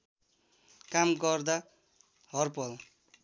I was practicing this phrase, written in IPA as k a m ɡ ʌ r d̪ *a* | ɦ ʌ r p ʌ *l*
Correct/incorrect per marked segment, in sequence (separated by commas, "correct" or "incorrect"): correct, correct